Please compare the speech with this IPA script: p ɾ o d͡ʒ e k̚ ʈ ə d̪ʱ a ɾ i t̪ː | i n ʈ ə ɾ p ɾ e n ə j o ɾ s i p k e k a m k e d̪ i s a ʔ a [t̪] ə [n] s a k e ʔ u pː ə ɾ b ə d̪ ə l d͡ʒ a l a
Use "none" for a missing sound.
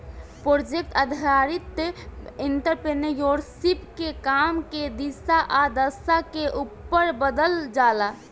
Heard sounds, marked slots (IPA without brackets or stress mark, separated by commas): d̪, none